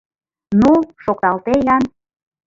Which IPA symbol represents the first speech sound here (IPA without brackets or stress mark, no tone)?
n